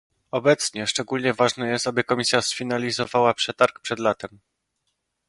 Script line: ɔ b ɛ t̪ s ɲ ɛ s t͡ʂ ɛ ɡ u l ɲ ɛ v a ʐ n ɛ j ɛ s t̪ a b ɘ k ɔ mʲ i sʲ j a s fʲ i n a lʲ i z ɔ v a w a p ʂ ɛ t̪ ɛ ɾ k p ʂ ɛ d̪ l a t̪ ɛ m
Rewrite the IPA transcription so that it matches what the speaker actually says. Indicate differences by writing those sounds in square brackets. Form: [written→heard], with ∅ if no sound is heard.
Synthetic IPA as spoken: ɔ b ɛ t̪ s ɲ ɛ [s→ʂ] t͡ʂ ɛ ɡ u l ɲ ɛ v a ʐ n ɛ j ɛ s t̪ a b ɘ k ɔ mʲ i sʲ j a s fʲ i n a lʲ i z ɔ v a w a p ʂ ɛ t̪ [ɛ→a] ɾ k p ʂ ɛ d̪ l a t̪ ɛ m